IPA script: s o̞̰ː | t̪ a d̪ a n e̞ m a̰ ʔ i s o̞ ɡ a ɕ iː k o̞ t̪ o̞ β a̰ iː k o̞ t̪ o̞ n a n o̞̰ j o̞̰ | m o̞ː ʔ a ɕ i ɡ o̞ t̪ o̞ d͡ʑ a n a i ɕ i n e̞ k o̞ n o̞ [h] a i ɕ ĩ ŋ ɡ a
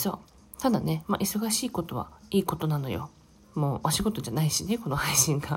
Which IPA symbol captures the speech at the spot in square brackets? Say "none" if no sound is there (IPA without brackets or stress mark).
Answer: h